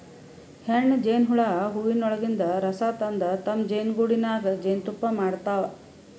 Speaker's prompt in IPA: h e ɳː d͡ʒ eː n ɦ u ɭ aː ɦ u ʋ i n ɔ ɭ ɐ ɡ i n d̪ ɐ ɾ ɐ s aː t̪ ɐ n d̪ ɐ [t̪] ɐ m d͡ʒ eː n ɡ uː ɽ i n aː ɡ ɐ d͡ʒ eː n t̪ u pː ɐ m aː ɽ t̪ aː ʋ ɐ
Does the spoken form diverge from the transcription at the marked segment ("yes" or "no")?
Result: no